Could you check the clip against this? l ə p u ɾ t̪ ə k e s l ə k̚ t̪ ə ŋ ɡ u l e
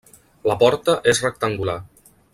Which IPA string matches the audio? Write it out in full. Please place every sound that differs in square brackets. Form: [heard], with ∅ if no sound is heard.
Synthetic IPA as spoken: l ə p [ɔ] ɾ t̪ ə [ʔ] e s [r] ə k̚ t̪ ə ŋ ɡ u l [a]